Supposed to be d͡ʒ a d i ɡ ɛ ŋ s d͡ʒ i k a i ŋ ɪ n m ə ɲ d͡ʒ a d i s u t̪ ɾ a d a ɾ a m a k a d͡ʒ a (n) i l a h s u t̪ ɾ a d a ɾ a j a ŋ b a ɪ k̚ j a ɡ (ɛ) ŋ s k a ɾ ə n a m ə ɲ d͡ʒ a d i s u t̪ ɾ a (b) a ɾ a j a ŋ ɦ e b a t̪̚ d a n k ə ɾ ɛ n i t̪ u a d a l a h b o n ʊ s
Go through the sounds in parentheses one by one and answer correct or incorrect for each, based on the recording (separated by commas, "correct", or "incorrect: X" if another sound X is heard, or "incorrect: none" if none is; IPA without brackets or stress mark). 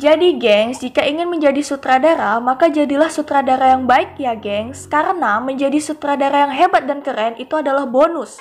incorrect: d, correct, incorrect: d